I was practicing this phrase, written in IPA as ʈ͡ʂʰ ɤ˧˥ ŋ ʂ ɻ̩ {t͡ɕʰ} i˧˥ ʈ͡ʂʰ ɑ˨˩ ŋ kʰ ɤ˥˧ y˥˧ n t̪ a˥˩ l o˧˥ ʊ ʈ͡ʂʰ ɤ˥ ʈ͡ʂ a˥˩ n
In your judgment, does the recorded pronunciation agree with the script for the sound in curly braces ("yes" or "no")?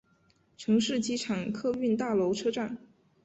no